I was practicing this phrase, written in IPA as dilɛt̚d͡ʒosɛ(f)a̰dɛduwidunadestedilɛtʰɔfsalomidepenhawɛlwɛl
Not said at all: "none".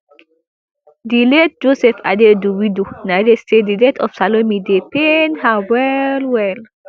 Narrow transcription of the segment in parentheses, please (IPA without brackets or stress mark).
f